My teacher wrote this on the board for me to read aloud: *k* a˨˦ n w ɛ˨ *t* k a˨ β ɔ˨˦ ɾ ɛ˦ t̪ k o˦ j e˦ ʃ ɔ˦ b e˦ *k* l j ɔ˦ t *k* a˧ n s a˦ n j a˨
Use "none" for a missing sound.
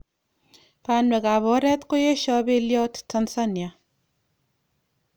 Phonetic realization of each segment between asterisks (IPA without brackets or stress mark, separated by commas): p, none, none, t